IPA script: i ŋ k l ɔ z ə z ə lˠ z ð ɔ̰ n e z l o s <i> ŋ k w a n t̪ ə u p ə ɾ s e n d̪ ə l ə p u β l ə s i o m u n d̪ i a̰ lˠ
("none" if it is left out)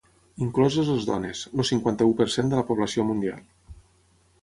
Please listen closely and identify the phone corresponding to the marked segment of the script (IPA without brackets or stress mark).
i